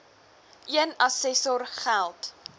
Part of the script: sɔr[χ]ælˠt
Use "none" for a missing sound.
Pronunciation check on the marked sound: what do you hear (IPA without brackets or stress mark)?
χ